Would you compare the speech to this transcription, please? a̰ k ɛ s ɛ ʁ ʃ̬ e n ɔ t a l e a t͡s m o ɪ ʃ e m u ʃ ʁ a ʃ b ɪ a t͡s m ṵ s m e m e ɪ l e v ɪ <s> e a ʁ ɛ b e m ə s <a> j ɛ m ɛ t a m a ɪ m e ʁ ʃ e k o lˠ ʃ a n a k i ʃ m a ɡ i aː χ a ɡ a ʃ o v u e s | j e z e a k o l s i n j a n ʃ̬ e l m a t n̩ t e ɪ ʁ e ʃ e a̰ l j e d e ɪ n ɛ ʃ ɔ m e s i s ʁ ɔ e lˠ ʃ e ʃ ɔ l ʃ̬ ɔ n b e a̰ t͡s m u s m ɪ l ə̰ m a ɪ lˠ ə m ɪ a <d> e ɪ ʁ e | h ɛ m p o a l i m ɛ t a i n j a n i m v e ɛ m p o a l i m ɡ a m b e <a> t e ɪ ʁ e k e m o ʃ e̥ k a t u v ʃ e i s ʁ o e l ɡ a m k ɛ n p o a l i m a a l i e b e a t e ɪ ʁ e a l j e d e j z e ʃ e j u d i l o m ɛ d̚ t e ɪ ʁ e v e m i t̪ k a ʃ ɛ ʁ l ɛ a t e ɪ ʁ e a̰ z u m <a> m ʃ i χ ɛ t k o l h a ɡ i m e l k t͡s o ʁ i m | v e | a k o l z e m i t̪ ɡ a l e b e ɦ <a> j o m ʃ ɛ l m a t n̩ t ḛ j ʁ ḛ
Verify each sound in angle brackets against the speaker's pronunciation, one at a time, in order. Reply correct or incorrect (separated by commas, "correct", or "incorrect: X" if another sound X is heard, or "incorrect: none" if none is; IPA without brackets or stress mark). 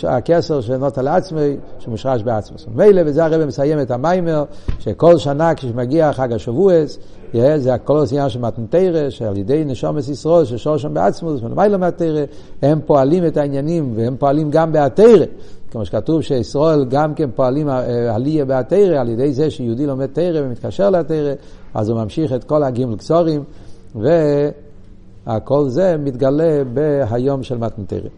incorrect: z, correct, incorrect: t, correct, correct, correct